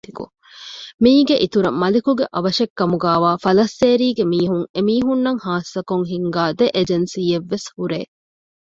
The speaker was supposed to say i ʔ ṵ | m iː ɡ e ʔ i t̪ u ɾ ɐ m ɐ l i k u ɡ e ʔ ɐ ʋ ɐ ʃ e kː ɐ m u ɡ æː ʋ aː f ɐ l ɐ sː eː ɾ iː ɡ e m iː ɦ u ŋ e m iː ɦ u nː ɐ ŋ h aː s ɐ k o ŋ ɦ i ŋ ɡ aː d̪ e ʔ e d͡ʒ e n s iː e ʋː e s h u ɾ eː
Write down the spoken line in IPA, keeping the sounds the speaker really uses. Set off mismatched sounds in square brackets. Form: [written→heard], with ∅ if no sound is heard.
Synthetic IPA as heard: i [ʔ→k] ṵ | m iː ɡ e ʔ i t̪ u ɾ ɐ m ɐ l i k u ɡ e ʔ ɐ ʋ ɐ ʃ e kː ɐ m u ɡ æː ʋ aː f ɐ l ɐ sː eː ɾ iː ɡ e m iː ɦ u ŋ e m iː ɦ u nː ɐ ŋ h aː s ɐ k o ŋ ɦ i ŋ ɡ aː d̪ e ʔ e d͡ʒ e n s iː e ʋː e s h u ɾ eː

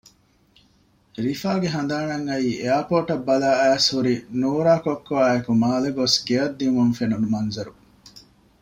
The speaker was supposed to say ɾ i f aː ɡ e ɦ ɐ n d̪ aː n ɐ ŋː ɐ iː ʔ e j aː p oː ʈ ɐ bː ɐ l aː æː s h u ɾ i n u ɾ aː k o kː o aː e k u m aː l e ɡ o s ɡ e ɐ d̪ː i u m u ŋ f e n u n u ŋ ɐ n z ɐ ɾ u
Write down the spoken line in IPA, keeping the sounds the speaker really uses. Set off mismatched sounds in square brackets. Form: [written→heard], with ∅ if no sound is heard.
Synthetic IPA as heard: ɾ i f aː ɡ e ɦ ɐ n d̪ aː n ɐ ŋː ɐ iː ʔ e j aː p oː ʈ ɐ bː ɐ l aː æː s h u ɾ i n [u→uː] ɾ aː k o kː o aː e k u m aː l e ɡ o s ɡ e ɐ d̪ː i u m u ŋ f e n u n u [ŋ→m] ɐ n z ɐ ɾ u

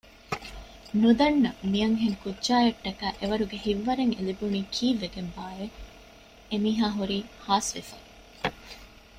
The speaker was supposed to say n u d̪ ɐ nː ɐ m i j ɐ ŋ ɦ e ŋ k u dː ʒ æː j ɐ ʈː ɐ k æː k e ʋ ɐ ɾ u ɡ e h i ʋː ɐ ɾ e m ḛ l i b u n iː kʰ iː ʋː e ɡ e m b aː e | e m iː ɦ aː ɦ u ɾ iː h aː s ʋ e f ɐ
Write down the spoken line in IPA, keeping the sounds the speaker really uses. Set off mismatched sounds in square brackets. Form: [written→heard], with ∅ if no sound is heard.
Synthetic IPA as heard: n u d̪ ɐ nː ɐ m i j ɐ ŋ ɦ e ŋ k u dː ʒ [æː→aː] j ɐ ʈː ɐ k æː [k→ʔ] e ʋ ɐ ɾ u ɡ e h i ʋː ɐ ɾ e [m→ŋ] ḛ l i b u n iː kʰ iː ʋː e ɡ e m b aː e | e m iː ɦ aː ɦ u ɾ iː h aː s ʋ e f ɐ

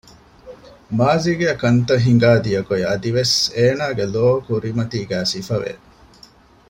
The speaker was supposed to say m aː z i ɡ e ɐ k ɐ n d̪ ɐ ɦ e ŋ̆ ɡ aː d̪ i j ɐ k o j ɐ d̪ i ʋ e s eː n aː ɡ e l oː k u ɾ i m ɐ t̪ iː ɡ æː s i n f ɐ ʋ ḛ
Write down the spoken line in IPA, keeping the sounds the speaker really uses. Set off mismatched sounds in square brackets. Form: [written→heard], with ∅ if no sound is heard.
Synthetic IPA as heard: m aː z i ɡ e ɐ k ɐ n [d̪→t̪] ɐ ɦ [e→i] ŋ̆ ɡ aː d̪ i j ɐ k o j ɐ d̪ i ʋ e s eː n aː ɡ e l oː k u ɾ i m ɐ t̪ iː ɡ æː s i [n→∅] f ɐ ʋ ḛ

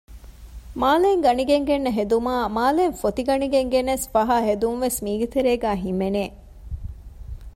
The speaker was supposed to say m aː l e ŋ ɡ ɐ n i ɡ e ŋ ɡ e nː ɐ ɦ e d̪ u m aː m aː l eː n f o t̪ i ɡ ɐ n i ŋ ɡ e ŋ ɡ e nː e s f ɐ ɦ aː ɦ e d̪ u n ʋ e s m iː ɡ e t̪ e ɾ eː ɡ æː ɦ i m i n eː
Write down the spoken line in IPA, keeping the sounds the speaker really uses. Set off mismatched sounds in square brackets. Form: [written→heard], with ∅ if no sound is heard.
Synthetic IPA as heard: m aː l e ŋ ɡ ɐ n i ɡ e ŋ ɡ e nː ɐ ɦ e d̪ u m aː m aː l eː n f o t̪ i ɡ ɐ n i [ŋ→∅] ɡ e ŋ ɡ e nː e s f ɐ ɦ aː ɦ e d̪ u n ʋ e s m iː ɡ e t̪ e ɾ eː ɡ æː ɦ i m [i→e] n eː

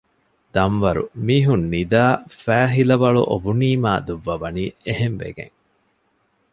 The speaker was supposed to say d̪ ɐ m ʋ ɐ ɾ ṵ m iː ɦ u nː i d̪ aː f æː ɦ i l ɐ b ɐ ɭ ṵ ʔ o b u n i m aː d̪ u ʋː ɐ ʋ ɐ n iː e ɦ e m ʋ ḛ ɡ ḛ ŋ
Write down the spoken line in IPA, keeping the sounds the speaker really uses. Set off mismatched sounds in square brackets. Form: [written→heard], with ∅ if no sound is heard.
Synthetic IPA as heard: d̪ ɐ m ʋ ɐ ɾ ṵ m iː ɦ u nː i d̪ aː f æː ɦ i l ɐ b ɐ ɭ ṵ ʔ o b u n [i→iː] m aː d̪ u ʋː ɐ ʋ ɐ n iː e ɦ e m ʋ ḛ ɡ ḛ ŋ

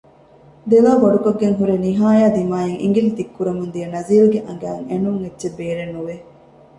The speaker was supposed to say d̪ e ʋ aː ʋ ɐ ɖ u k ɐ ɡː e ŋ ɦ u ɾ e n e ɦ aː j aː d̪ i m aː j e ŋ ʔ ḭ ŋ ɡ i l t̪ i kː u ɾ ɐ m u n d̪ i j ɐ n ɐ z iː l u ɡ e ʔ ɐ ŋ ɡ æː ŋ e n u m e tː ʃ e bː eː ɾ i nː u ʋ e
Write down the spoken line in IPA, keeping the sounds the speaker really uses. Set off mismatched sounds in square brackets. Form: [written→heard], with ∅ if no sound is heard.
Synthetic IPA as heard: d̪ e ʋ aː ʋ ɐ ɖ u k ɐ ɡː e ŋ ɦ u ɾ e n [e→i] ɦ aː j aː d̪ i m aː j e ŋ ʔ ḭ ŋ ɡ i l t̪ i kː u ɾ ɐ m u n d̪ i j ɐ n ɐ z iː l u ɡ e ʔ ɐ ŋ ɡ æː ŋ e n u [m→ŋ] e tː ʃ e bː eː ɾ [i→e] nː u ʋ e

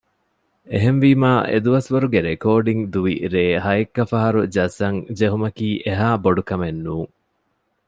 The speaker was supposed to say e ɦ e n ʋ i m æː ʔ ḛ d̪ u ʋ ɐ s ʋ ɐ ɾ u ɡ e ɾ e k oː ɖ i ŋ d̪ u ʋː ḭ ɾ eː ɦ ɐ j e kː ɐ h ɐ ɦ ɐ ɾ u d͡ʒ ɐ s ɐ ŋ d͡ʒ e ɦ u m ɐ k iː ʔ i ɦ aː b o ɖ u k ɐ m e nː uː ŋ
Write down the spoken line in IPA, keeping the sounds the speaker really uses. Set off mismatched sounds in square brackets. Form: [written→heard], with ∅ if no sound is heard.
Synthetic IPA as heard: e ɦ e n ʋ i m [æː→aː] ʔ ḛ d̪ u ʋ ɐ s ʋ ɐ ɾ u ɡ e ɾ e k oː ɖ i ŋ d̪ u [ʋː→ʋ] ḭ ɾ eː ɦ ɐ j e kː ɐ [h→f] ɐ ɦ ɐ ɾ u d͡ʒ ɐ s ɐ ŋ d͡ʒ e ɦ u m ɐ k iː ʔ [i→e] ɦ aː b o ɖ u k ɐ m e nː uː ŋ

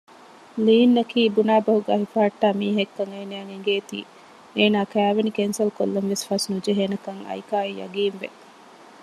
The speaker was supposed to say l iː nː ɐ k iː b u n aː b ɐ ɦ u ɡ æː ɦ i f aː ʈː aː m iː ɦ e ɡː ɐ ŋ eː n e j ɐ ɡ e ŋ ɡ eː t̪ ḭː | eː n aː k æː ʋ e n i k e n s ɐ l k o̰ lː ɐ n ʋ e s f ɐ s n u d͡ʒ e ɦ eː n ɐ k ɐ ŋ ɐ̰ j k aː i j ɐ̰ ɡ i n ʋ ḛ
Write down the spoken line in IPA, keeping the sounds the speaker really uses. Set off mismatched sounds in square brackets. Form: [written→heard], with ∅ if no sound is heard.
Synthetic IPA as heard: l iː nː ɐ k iː b u n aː b ɐ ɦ u ɡ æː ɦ i f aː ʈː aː m iː ɦ e [ɡː→kː] ɐ ŋ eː n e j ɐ [ɡ→ŋ] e ŋ ɡ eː t̪ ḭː | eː n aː k æː ʋ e n i k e n s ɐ l k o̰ lː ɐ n ʋ e s f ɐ s n u d͡ʒ e ɦ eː n ɐ k ɐ ŋ ɐ̰ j k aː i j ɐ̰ ɡ [i→iː] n ʋ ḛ

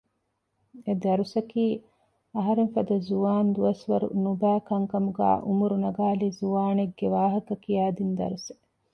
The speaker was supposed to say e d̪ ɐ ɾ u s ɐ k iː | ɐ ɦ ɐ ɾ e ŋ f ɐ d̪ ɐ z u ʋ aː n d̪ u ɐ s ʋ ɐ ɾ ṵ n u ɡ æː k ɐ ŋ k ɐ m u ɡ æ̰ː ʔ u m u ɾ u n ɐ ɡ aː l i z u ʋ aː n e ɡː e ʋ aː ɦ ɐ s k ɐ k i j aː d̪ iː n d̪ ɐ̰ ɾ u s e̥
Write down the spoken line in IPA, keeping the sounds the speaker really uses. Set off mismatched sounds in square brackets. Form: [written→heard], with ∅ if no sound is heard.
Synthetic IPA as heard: e d̪ ɐ ɾ u s ɐ k iː | ɐ ɦ ɐ ɾ e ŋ f ɐ d̪ ɐ z u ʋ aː n d̪ u ɐ s ʋ ɐ ɾ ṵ n u [ɡ→b] æː k ɐ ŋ k ɐ m u ɡ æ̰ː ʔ u m u ɾ u n ɐ ɡ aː l i z u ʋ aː n e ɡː e ʋ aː ɦ ɐ [s→∅] k ɐ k i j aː d̪ [iː→i] n d̪ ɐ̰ ɾ u s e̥

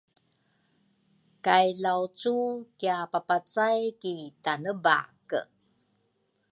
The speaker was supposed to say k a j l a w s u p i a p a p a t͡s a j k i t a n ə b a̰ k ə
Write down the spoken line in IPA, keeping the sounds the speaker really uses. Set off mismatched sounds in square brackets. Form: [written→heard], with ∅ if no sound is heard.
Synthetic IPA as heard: k a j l a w [s→t͡s] u [p→k] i a p a p a t͡s a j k i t a n ə b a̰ k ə

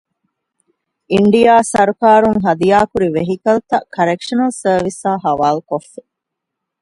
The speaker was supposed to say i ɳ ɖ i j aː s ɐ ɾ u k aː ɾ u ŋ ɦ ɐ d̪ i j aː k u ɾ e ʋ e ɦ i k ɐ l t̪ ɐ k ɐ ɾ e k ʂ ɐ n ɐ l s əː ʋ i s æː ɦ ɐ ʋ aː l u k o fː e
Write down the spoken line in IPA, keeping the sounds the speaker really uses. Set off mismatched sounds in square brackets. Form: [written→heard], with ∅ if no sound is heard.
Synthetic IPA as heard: i ɳ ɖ i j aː s ɐ ɾ u k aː ɾ u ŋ ɦ ɐ d̪ i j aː k u ɾ [e→i] ʋ e ɦ i k ɐ l t̪ ɐ k ɐ ɾ e k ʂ ɐ n ɐ l s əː ʋ i s [æː→aː] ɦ ɐ ʋ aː l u k o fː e

